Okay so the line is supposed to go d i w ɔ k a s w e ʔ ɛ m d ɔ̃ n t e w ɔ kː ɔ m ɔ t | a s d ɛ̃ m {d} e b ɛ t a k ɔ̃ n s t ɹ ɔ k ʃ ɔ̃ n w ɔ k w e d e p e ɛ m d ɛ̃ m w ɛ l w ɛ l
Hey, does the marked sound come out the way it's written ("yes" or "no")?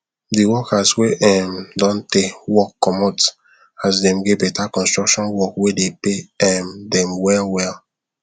no